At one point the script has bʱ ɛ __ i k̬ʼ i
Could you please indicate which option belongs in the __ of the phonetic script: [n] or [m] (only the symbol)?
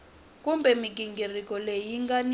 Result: m